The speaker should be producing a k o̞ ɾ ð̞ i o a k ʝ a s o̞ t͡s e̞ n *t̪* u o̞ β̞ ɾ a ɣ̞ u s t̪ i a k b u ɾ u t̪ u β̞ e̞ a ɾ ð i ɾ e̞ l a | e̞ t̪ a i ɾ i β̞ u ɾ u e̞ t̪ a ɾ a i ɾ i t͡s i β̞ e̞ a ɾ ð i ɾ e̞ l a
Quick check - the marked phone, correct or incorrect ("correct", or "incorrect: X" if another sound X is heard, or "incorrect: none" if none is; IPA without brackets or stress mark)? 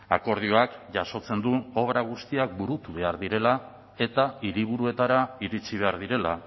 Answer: incorrect: d̪